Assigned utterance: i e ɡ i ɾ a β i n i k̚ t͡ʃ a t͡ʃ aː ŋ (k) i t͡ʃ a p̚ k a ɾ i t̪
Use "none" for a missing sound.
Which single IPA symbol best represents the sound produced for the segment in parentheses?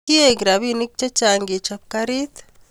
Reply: ɡ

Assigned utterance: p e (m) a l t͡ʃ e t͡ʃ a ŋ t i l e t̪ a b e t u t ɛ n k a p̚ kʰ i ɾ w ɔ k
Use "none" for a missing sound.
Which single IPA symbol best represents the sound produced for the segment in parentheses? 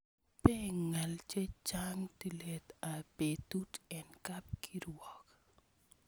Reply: ŋ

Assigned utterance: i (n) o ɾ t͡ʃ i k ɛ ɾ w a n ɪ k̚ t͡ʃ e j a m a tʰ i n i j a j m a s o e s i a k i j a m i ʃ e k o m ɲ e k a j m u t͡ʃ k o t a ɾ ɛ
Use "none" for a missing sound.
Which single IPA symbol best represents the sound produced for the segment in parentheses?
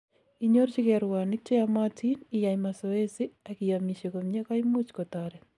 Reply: ɲ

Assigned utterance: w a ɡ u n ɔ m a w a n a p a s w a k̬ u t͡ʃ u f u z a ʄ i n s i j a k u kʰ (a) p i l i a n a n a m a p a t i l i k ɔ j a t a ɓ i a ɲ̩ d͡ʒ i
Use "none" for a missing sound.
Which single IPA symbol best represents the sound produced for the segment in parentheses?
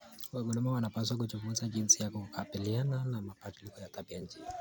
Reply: a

